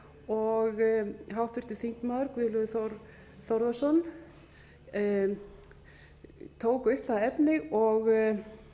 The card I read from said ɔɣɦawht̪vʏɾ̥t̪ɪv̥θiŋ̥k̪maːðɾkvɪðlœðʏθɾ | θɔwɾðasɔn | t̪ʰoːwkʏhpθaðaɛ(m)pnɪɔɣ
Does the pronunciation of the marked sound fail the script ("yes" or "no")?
yes